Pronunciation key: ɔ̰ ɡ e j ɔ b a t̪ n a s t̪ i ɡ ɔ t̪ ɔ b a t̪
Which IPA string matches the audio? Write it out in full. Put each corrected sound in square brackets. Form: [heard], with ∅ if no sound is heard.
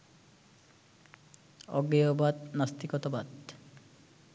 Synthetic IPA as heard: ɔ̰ ɡ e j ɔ b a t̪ n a s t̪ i [k] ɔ t̪ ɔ b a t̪